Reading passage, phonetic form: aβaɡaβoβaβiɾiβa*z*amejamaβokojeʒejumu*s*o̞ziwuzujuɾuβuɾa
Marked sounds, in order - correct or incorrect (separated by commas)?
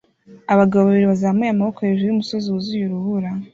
correct, correct